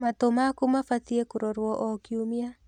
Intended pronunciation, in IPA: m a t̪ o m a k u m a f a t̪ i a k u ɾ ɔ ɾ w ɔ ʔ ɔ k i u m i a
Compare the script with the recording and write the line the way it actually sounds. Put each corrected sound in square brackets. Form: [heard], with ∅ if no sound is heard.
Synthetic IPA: m a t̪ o m a k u m a f a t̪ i [e] k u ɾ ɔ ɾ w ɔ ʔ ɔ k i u m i a